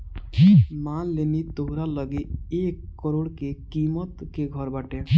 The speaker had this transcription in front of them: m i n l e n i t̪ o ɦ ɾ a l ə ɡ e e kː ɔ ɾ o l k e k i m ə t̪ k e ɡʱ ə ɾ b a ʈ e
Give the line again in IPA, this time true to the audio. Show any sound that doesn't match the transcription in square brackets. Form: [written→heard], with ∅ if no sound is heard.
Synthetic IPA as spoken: m [i→a] n l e n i t̪ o ɦ ɾ a l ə ɡ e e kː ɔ ɾ o [l→ɽ] k e k i m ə t̪ k e ɡʱ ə ɾ b a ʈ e